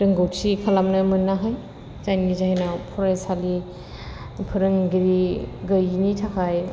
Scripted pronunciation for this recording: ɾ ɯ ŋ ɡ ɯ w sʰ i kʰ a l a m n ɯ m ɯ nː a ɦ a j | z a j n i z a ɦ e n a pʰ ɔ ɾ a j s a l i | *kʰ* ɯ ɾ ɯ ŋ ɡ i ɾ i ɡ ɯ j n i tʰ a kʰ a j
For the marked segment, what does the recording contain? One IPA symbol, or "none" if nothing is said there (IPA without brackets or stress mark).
pʰ